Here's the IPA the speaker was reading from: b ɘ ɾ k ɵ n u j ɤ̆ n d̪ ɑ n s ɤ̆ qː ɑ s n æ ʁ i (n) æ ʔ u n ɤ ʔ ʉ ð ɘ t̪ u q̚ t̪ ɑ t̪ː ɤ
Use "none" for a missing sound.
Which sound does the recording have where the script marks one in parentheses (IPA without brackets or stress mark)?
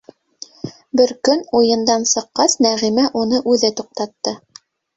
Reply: m